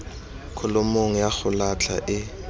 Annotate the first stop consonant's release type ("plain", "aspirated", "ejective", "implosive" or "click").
aspirated